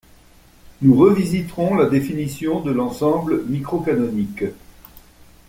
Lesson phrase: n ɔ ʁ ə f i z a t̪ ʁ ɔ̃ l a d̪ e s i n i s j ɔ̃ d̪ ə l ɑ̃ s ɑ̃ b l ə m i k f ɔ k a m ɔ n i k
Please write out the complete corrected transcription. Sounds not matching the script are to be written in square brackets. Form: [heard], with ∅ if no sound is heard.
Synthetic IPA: n [u] ʁ ə [v] i z [i] t̪ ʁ ɔ̃ l a d̪ e [f] i n i s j ɔ̃ d̪ ə l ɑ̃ s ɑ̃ b l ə m i k [χ] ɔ k a [n] ɔ n i k